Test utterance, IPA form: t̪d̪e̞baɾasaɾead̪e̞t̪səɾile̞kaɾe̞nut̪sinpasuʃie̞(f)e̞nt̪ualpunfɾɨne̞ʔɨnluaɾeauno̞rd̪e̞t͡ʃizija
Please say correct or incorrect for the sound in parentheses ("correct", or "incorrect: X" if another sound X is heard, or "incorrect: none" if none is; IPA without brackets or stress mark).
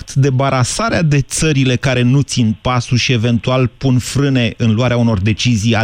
incorrect: v